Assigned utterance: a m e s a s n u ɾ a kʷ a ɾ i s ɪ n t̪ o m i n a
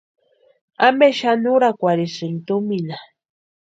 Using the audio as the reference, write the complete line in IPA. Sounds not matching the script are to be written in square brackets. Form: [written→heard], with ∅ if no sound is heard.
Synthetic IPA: a m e [s→ʃ] a [s→∅] n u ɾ a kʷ a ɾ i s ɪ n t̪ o m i n a

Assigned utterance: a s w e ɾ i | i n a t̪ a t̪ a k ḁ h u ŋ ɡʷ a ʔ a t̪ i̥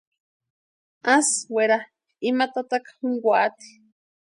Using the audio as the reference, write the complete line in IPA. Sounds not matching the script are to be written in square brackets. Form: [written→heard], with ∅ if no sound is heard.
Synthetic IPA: a s w e ɾ [i→a] | i [n→m] a t̪ a t̪ a k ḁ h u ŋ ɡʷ a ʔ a t̪ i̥

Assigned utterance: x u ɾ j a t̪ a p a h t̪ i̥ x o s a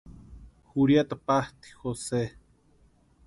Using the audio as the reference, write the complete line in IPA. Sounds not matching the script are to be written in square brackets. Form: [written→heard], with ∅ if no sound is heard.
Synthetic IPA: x u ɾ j a t̪ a p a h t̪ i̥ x o s [a→e]

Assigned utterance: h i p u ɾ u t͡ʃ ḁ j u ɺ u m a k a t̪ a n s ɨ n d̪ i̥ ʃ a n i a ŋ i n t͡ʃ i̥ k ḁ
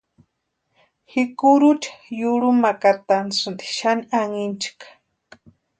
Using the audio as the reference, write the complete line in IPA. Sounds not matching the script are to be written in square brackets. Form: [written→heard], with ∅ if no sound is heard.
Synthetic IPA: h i [p→k] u ɾ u t͡ʃ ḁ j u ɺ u m a k a t̪ a n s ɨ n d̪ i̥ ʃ a n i a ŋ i n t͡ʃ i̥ k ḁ

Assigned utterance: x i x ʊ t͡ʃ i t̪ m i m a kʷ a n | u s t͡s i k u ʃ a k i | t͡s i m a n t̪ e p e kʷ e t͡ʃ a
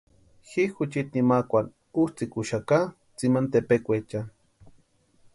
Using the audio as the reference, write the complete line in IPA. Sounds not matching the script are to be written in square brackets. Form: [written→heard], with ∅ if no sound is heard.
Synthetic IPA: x i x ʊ t͡ʃ i t̪ [m→n] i m a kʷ a n | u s t͡s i k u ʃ a k [i→a] | t͡s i m a n t̪ e p e kʷ e t͡ʃ a

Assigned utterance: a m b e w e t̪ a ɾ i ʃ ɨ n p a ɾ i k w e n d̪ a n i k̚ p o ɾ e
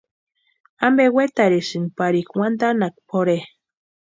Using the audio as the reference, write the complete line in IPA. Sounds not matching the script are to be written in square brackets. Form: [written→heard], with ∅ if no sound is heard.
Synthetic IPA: a m b e w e t̪ a ɾ i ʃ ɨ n p a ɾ i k w [e→a] n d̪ a n [i→a] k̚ p o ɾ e

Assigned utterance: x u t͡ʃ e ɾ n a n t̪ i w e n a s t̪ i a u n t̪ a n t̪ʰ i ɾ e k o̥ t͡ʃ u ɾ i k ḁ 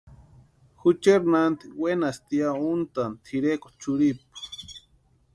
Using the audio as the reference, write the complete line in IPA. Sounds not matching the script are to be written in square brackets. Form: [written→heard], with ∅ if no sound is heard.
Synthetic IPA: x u t͡ʃ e ɾ n a n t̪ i w e n a s t̪ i a u n t̪ a n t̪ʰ i ɾ e k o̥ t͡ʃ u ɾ i [k→p] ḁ

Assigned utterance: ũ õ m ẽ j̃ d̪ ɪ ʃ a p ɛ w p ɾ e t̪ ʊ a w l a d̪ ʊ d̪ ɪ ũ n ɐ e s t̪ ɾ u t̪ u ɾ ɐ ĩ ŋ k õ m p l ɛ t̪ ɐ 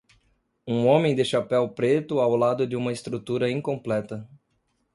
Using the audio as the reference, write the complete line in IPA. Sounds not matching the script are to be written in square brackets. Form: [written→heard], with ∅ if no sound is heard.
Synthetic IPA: ũ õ m ẽ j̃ d̪ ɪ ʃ a p ɛ w p ɾ e t̪ ʊ a w l a d̪ ʊ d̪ ɪ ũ [n→m] ɐ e s t̪ ɾ u t̪ u ɾ ɐ ĩ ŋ k õ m p l ɛ t̪ ɐ

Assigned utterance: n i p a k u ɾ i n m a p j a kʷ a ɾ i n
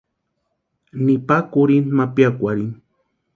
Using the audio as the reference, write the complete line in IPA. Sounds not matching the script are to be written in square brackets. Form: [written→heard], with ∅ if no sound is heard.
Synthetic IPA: n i p a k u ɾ i n m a p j a kʷ a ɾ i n

